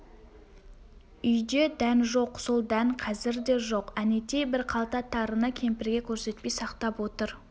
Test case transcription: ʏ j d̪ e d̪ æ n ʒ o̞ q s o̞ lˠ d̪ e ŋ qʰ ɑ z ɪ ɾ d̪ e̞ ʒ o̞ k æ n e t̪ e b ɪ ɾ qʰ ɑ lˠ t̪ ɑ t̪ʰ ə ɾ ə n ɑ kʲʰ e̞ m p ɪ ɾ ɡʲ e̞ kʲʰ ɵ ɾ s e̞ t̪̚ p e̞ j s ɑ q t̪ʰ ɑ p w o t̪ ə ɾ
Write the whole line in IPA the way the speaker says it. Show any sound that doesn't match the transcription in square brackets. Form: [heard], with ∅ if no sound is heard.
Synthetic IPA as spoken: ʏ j d̪ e d̪ æ n ʒ o̞ q s o̞ lˠ d̪ [æ] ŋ qʰ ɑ z ɪ ɾ d̪ e̞ ʒ o̞ [q] æ n e t̪ e b ɪ ɾ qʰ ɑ lˠ t̪ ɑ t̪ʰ [ɑ] ɾ ə n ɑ kʲʰ e̞ m p ɪ ɾ ɡʲ e̞ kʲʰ ɵ ɾ s e̞ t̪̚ p e̞ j s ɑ q [t̪] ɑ p w o t̪ ə ɾ